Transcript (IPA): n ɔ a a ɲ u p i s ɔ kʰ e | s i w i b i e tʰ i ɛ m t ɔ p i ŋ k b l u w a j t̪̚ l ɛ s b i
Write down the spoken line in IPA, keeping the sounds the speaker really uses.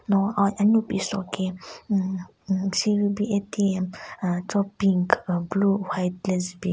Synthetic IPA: n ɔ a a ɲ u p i s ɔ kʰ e | s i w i b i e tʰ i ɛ m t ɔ p i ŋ k b l u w a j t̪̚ l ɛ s b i